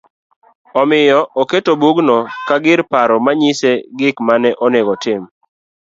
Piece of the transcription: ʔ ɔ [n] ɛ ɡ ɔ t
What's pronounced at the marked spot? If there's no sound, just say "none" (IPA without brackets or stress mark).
n